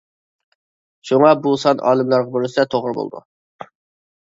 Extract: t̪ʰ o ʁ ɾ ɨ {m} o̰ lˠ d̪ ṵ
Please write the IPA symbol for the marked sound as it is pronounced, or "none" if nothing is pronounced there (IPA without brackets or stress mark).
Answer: b